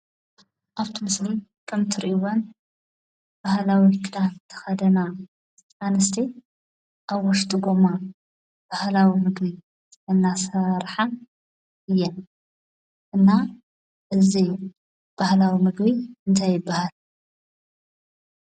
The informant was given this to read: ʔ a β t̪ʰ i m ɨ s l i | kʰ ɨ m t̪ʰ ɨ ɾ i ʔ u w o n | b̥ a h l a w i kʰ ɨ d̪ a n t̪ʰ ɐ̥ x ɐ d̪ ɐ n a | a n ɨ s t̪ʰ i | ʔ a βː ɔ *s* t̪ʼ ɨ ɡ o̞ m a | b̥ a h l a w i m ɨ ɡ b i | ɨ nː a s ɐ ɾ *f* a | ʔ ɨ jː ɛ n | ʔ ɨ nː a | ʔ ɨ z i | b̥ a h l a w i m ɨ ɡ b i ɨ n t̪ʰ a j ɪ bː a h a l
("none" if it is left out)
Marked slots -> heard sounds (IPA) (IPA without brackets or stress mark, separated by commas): ʃ, ħ